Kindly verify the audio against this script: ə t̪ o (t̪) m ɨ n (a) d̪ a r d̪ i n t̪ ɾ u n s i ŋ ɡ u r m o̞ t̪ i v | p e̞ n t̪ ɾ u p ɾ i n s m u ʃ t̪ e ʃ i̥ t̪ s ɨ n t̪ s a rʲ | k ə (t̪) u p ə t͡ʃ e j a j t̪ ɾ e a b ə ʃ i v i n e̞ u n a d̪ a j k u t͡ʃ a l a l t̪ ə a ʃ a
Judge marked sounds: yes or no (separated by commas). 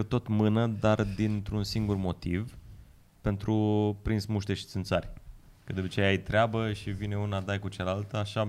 yes, no, no